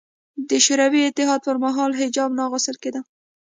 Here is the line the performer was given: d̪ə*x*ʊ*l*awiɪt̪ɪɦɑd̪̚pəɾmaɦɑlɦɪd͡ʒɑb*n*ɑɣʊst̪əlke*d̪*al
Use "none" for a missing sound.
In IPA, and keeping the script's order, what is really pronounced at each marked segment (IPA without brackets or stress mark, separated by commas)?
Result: ʃ, ɾ, n, d̪